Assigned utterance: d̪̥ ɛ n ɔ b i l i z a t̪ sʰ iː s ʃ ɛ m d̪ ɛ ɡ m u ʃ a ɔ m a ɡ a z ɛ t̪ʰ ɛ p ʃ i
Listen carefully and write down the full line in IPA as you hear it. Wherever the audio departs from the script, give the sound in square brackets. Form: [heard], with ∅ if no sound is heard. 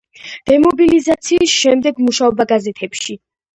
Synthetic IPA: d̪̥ ɛ [m] ɔ b i l i z a t̪ sʰ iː s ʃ ɛ m d̪ ɛ ɡ m u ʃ a ɔ [b] a ɡ a z ɛ t̪ʰ ɛ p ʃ i